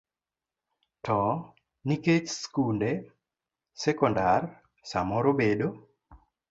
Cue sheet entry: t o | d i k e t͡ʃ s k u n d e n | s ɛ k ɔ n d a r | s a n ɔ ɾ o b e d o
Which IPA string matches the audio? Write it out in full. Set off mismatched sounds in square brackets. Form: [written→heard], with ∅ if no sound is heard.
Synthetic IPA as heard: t [o→ɔ] | [d→n] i k e t͡ʃ s k u n d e [n→∅] | s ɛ k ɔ n d a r | s a [n→m] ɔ ɾ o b e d o